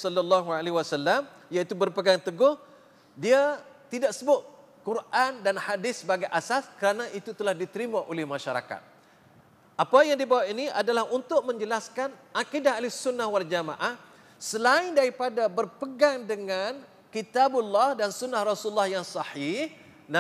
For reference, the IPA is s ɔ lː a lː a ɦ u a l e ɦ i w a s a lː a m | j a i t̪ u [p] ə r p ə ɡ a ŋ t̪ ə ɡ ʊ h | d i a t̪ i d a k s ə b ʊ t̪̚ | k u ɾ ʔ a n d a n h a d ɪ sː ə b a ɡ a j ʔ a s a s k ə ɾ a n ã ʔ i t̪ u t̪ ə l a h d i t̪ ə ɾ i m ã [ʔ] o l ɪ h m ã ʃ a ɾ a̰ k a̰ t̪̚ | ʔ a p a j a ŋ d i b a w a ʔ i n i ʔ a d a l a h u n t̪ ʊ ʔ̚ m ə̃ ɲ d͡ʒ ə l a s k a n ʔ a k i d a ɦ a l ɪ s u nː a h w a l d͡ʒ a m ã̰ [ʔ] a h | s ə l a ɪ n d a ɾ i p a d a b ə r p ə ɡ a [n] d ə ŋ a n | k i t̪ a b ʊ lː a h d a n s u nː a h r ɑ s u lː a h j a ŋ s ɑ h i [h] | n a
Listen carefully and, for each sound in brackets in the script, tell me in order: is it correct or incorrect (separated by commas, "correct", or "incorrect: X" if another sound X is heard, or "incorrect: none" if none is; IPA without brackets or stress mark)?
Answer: incorrect: b, correct, correct, incorrect: ŋ, correct